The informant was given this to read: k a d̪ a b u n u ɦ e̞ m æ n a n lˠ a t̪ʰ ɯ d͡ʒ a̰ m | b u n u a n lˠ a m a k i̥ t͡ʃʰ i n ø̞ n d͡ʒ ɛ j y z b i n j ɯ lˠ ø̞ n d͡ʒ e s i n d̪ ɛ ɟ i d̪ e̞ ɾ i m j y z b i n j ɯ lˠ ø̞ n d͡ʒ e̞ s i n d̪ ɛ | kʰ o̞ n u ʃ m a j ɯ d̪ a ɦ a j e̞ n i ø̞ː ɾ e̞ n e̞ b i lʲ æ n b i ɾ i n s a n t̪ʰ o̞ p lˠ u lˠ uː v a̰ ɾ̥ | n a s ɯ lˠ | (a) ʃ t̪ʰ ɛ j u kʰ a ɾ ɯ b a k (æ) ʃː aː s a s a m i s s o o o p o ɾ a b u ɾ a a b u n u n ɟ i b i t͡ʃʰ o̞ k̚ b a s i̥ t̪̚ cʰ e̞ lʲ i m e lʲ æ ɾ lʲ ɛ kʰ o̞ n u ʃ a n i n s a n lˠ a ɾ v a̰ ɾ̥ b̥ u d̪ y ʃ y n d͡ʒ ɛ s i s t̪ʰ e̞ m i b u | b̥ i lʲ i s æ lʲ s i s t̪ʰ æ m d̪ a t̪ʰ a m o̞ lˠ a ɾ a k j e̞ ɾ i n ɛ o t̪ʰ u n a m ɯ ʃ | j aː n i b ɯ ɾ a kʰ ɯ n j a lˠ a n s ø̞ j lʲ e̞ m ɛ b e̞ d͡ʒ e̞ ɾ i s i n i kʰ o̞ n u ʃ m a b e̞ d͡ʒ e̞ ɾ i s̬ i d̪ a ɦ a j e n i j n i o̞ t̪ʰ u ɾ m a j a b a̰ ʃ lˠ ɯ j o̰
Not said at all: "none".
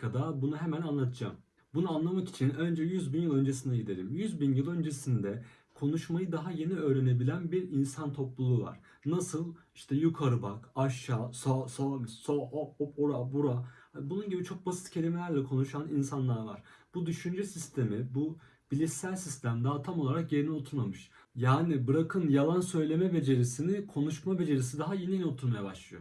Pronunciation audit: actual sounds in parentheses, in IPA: i, a

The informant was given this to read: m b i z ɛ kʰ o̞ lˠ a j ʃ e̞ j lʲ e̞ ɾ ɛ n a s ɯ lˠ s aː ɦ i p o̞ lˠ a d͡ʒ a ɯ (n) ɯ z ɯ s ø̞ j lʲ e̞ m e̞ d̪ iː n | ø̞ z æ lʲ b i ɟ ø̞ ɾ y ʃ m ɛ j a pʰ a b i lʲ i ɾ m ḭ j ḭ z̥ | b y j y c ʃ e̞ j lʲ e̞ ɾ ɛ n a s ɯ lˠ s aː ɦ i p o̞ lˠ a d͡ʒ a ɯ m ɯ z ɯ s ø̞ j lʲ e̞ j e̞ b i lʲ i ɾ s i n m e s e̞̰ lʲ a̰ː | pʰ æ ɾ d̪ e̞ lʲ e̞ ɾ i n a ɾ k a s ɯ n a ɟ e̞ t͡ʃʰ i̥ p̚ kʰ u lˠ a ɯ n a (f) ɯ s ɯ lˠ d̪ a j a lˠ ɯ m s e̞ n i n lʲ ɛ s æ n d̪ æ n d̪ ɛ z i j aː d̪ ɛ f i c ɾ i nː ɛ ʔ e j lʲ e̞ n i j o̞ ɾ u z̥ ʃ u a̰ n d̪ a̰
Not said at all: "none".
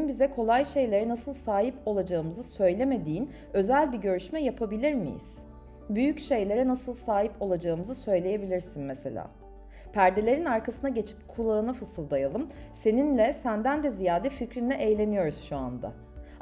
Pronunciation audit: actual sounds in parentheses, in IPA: m, f

